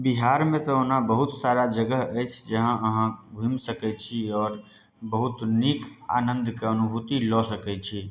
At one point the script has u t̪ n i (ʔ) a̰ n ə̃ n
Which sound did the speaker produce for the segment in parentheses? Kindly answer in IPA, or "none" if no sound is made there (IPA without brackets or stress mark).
k